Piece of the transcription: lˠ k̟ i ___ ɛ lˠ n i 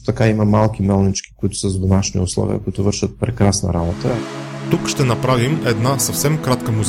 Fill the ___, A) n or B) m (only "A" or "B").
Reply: B